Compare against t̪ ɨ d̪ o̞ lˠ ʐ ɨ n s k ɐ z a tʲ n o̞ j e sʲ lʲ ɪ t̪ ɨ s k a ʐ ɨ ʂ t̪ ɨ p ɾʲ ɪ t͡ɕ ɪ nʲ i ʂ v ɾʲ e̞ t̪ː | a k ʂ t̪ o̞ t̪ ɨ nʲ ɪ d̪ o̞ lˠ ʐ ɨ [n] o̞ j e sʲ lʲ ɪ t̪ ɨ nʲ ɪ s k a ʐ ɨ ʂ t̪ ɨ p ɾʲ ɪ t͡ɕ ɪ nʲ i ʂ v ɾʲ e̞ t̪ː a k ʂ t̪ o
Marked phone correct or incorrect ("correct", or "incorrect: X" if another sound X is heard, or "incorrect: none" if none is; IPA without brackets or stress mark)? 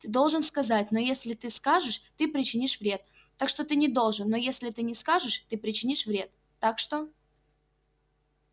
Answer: incorrect: nː